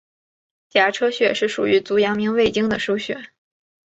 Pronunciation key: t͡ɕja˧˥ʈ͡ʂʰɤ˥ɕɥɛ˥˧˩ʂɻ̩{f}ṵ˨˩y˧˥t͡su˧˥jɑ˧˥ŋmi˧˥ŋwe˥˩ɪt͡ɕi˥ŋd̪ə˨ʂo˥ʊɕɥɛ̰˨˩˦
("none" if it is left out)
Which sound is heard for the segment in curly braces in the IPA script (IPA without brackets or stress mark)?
ʂ